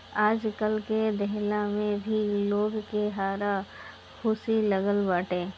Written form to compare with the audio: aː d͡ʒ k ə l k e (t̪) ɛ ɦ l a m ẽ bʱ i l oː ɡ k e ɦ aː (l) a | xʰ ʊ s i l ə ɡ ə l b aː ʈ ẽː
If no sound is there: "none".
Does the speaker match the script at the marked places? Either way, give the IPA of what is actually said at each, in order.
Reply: d̪, ɾ

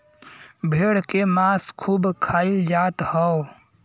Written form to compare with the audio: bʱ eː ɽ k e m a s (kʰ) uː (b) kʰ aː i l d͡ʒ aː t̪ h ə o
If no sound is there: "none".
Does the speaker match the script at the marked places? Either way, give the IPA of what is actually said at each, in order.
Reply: kʰ, b

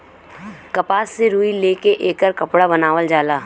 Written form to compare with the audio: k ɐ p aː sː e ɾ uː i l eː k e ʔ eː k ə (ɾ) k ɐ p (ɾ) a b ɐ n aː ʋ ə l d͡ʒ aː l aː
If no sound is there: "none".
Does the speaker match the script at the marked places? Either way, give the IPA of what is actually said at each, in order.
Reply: ɾ, ɽ

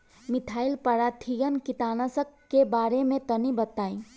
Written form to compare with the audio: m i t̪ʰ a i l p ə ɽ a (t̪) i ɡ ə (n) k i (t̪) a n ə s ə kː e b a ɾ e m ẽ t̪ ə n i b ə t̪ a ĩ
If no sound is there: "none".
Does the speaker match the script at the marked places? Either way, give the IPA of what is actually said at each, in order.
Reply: t̪ʰ, n, t̪

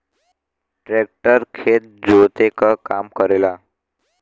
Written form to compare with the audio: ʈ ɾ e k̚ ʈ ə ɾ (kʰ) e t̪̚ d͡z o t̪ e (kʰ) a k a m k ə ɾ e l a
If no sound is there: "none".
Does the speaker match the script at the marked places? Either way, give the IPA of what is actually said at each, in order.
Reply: kʰ, k

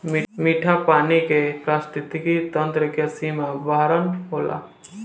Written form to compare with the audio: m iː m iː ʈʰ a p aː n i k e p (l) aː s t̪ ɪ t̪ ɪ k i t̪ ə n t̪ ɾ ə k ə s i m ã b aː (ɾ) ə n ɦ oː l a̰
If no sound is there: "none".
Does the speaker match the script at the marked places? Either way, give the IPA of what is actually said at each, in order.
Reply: ɾ, ɾ

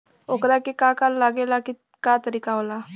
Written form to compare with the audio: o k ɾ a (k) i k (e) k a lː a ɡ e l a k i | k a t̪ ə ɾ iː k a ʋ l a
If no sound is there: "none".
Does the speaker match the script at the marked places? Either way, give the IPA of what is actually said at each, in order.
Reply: k, a

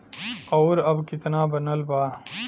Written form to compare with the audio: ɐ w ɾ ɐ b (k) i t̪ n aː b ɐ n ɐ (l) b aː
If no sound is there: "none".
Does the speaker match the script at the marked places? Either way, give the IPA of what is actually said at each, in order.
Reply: k, l

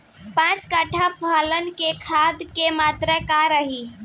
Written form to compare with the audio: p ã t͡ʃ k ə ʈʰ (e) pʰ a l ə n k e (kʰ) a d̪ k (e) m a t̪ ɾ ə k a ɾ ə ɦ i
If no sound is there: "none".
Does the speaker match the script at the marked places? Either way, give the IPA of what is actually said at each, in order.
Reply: a, kʰ, e

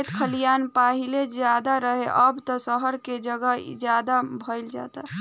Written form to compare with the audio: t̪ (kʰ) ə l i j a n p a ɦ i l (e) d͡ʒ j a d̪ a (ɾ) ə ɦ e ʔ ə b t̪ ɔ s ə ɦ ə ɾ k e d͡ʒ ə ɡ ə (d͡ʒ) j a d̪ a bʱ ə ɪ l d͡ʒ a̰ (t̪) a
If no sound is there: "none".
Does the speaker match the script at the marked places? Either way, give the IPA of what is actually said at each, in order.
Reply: kʰ, e, ɾ, d͡ʒ, t̪

